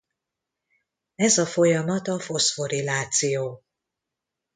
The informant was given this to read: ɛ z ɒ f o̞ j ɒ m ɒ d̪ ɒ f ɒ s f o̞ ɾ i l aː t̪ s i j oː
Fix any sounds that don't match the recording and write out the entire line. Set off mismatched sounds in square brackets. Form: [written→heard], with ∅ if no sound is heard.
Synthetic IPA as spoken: ɛ z ɒ f o̞ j ɒ m ɒ [d̪→t̪] ɒ f [ɒ→o] s f o̞ ɾ i l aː t̪ s i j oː